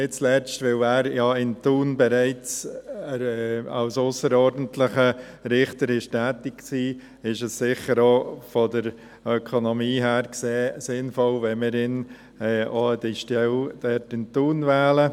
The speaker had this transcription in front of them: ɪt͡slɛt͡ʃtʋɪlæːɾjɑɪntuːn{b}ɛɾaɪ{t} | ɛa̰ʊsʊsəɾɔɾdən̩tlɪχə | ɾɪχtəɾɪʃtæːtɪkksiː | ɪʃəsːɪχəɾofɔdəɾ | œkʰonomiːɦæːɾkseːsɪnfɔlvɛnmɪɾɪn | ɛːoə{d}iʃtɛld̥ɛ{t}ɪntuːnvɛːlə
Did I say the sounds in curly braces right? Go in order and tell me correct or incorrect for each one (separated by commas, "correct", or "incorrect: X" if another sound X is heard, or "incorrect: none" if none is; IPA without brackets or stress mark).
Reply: correct, incorrect: t͡s, correct, correct